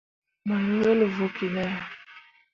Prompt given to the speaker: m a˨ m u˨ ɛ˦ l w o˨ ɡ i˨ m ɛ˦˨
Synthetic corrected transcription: m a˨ n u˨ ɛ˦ l v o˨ k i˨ n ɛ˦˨